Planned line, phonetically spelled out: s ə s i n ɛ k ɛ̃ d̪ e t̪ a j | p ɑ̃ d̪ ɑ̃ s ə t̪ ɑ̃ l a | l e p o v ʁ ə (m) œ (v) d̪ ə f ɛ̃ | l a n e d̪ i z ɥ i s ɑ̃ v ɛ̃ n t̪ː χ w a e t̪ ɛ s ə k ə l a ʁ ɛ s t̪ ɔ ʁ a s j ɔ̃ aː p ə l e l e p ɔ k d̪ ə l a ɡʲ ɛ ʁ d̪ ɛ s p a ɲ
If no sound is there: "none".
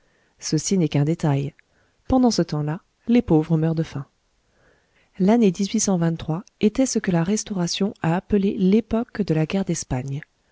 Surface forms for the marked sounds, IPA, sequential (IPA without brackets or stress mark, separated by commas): m, ʁ